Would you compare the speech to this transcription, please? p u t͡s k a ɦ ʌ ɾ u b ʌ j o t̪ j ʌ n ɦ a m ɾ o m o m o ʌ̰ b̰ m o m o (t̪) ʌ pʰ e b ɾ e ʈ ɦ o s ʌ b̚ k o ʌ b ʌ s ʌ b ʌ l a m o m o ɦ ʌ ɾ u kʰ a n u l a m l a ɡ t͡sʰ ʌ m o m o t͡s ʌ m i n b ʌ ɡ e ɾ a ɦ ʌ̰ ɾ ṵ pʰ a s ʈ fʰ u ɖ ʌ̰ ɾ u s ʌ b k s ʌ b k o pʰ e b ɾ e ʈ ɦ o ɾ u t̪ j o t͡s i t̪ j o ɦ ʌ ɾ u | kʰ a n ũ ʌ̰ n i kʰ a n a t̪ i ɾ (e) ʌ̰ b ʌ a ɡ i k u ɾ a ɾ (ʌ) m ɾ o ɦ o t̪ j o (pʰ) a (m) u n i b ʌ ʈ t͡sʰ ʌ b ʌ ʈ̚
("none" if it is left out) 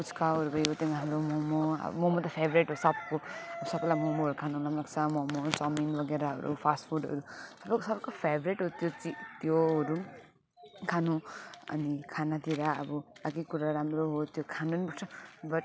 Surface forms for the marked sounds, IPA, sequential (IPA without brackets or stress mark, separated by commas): t̪, a, a, kʰ, n